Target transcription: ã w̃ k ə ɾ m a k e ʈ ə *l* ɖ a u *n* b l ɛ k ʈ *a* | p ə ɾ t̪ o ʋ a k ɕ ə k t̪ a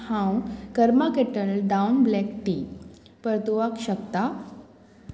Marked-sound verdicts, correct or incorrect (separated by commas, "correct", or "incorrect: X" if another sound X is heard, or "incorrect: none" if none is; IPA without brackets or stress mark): correct, correct, incorrect: i